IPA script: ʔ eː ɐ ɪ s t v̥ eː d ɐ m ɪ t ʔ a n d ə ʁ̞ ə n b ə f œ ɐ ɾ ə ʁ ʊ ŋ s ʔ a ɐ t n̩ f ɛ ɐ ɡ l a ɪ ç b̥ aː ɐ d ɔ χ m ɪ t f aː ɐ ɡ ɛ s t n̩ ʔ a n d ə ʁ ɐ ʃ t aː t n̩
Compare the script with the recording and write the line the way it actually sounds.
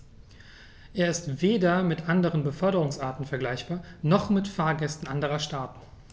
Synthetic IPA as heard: ʔ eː ɐ ɪ s t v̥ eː d ɐ m ɪ t ʔ a n d ə ʁ̞ ə n b ə f œ ɐ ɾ ə ʁ ʊ ŋ s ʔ a ɐ t n̩ f ɛ ɐ ɡ l a ɪ ç b̥ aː ɐ n ɔ χ m ɪ t f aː ɐ ɡ ɛ s t n̩ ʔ a n d ə ʁ ɐ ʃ t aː t n̩

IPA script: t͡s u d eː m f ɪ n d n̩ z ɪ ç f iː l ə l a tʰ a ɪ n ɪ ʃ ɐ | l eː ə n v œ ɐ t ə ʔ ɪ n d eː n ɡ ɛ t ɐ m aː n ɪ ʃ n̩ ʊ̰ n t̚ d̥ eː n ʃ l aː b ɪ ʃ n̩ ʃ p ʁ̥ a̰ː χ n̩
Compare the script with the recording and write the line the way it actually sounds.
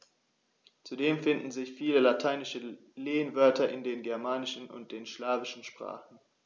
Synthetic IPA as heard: t͡s u d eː m f ɪ n d n̩ z ɪ ç f iː l ə l a tʰ a ɪ n ɪ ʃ ə | l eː ə n v œ ɐ t ɐ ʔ ɪ n d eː n ɡ ɛ ɐ m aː n ɪ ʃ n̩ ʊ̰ n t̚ d̥ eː n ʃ l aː v ɪ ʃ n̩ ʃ p ʁ̥ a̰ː χ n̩

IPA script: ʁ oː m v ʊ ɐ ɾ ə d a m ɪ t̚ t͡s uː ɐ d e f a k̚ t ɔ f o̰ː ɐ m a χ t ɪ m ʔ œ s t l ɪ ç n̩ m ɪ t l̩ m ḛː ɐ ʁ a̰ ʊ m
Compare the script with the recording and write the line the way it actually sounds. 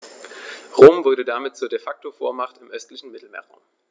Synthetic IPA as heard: ʁ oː m v ʊ ɐ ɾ ə d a m ɪ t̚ t͡s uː ɐ d e f a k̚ t o f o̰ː ɐ m a χ t ɪ m ʔ œ s t l ɪ ç n̩ m ɪ t l̩ m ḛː ɐ ʁ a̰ ʊ m

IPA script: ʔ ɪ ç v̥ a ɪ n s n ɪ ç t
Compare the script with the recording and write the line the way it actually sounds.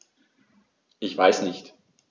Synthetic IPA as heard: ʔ ɪ ç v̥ a ɪ s n ɪ ç t

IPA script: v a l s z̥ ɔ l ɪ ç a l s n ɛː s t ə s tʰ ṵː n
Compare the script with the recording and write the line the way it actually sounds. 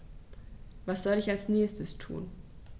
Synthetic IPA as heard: v a s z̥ ɔ l ɪ ç a l s n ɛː s t ə s tʰ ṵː n

